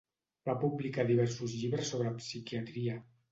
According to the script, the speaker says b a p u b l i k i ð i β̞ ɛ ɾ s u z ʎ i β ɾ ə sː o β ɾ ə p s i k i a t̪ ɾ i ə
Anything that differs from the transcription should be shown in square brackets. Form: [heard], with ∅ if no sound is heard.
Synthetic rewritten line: b a p u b l i k [a] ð i β̞ ɛ ɾ s u z ʎ i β ɾ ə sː o β ɾ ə p s i k i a t̪ ɾ i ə